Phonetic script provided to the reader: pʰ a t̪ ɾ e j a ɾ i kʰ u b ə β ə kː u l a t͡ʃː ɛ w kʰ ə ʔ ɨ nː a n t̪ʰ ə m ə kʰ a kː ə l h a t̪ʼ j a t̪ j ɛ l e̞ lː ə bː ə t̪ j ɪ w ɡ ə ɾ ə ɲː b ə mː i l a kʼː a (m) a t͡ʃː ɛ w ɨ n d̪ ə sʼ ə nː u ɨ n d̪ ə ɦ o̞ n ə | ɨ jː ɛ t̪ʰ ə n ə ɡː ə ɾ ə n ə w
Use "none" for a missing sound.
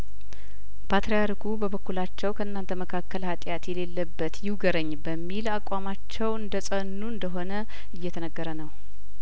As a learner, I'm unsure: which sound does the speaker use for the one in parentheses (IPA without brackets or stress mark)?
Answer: m